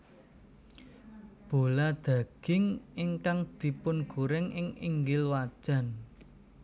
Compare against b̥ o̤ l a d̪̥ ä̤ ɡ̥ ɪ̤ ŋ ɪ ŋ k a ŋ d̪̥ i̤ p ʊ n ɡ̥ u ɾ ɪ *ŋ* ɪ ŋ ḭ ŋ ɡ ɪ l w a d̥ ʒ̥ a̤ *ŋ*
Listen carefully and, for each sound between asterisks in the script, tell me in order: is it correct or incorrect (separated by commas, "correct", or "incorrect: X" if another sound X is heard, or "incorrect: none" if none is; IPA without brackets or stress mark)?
correct, incorrect: n